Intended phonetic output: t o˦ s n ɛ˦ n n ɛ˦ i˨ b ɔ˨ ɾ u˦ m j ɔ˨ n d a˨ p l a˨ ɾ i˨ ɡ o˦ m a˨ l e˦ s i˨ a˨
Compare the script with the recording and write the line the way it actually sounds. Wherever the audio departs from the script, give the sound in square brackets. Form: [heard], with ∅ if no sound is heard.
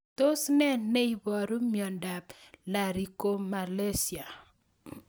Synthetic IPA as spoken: t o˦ s n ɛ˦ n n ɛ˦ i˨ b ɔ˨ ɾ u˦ m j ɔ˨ n d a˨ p l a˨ ɾ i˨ [k] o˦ m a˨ l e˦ s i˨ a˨